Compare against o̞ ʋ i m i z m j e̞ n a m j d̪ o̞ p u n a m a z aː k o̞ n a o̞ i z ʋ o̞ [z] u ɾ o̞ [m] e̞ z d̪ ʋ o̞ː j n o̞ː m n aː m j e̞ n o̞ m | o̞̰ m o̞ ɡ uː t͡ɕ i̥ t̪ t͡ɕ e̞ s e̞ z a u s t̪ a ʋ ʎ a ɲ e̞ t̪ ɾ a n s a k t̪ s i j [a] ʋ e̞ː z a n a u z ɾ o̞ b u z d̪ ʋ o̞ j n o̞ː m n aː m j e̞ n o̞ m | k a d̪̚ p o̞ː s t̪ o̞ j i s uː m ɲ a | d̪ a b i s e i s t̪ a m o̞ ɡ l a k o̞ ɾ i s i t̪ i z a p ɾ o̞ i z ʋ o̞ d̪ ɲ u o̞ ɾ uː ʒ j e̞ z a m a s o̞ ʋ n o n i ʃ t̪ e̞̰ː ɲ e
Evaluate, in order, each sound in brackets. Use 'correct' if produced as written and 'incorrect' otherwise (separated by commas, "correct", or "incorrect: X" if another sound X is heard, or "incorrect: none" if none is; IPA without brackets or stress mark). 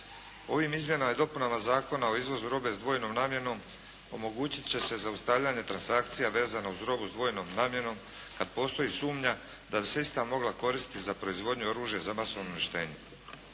correct, incorrect: b, correct